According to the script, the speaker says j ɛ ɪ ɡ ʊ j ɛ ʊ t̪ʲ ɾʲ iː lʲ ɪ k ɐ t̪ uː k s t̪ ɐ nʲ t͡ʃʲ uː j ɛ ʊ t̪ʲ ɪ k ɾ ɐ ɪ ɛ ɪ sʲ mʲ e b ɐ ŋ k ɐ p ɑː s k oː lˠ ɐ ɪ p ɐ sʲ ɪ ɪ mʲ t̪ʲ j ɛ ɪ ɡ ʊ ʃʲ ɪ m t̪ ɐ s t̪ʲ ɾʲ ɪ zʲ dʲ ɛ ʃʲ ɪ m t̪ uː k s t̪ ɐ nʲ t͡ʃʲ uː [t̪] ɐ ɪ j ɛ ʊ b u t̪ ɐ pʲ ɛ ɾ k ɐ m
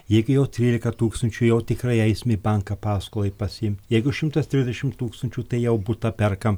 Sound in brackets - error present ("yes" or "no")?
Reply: no